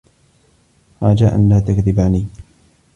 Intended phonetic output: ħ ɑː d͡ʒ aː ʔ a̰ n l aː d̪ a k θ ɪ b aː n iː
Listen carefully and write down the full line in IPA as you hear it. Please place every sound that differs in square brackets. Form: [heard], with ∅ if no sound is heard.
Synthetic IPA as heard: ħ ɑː d͡ʒ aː ʔ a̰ n l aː [t̪] a k [ð] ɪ b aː n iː